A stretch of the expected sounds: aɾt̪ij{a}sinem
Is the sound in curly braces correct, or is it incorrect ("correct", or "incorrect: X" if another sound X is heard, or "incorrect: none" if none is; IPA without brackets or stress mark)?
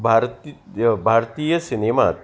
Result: incorrect: ə